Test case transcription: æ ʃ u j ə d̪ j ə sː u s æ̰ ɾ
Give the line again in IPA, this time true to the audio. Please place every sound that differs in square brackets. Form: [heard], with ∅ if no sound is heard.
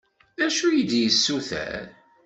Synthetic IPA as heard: æ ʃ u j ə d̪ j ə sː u [θ] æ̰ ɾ